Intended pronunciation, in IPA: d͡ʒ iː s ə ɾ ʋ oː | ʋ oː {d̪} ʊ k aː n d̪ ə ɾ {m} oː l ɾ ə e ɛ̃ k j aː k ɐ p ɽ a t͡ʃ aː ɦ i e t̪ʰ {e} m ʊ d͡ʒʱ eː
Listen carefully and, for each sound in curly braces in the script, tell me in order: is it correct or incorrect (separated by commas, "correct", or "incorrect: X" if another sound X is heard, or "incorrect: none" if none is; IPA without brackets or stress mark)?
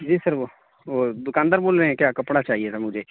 correct, incorrect: b, incorrect: a